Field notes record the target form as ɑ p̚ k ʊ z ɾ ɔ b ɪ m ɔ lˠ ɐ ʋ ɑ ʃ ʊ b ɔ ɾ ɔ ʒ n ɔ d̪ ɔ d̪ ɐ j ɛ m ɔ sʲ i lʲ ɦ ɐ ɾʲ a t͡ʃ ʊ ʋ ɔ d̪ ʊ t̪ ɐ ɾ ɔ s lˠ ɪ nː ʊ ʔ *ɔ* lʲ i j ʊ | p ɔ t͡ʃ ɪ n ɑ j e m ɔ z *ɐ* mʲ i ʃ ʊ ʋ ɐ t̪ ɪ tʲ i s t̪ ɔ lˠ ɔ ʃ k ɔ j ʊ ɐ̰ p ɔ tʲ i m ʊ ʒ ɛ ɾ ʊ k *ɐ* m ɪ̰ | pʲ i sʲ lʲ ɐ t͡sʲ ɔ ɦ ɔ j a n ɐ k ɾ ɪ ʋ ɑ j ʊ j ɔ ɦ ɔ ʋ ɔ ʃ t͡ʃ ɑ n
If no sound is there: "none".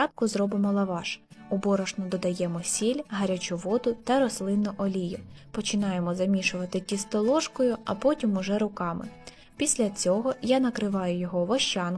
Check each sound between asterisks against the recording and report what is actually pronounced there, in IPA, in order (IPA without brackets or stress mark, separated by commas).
ɔ, ɐ, ɑ